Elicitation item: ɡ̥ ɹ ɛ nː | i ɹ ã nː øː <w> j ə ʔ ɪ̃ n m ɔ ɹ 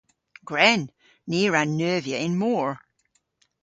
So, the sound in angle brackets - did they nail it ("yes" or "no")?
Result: no